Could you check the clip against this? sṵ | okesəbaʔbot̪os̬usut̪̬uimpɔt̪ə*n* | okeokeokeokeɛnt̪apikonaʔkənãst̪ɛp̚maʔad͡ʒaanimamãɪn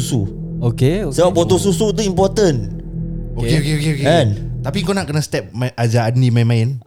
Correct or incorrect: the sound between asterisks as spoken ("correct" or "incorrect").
correct